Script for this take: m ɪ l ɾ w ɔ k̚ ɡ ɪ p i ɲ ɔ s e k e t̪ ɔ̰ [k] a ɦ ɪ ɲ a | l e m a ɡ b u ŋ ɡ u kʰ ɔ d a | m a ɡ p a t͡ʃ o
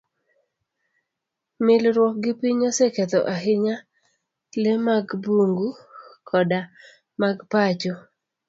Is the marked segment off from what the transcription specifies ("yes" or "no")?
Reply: yes